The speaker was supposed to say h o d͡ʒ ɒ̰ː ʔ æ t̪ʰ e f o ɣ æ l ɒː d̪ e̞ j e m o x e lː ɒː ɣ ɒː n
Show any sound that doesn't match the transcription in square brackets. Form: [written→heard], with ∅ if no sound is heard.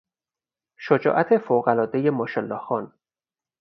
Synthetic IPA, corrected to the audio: [h→ʃ] o d͡ʒ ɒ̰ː ʔ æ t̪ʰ e f o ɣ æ l ɒː d̪ e̞ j e m o [x→ʃ] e lː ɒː [ɣ→x] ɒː n